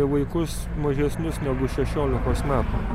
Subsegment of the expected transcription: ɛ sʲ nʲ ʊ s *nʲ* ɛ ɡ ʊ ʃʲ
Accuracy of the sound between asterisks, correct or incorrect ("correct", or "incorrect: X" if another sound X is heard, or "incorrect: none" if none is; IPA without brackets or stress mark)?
correct